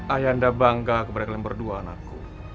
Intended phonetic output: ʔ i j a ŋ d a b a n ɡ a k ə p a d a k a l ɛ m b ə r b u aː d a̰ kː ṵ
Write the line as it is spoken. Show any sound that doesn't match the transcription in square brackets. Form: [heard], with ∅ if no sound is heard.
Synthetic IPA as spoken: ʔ [a] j a [n] d a b a [ŋ] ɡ a k ə p a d a k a l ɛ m b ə r [d] u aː [n] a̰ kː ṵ